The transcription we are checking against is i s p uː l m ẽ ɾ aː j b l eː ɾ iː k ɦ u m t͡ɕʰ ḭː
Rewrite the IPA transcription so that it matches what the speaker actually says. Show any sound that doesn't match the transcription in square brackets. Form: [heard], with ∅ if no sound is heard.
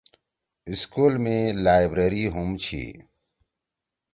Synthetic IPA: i s [k] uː l m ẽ [l] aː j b [ɾ] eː ɾ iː [∅] ɦ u m t͡ɕʰ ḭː